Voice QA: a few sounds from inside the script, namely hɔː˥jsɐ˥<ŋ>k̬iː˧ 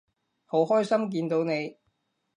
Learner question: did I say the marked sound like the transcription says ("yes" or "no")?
no